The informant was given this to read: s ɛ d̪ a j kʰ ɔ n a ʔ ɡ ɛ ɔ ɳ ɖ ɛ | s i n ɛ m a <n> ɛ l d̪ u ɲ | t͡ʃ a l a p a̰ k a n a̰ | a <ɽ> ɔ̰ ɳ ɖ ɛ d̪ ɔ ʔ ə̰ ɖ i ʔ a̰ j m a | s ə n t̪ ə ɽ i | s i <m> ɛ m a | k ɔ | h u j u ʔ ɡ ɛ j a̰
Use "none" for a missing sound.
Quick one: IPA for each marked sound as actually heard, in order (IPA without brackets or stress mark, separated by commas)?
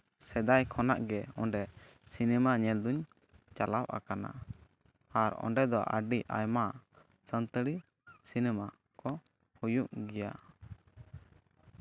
ɲ, ɾ, n